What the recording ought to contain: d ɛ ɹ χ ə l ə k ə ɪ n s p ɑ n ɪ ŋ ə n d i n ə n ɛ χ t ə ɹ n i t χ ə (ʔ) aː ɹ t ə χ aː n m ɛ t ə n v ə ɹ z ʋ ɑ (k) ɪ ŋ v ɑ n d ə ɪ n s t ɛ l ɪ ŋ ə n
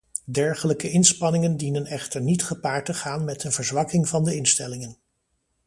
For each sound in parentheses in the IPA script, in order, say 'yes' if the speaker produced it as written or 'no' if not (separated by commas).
no, yes